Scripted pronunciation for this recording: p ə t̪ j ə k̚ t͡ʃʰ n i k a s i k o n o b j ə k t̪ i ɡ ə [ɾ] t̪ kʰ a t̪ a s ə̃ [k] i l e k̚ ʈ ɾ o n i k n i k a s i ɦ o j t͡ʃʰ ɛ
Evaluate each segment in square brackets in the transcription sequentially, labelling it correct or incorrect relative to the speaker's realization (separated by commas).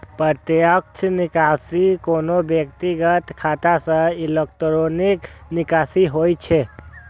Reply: incorrect, incorrect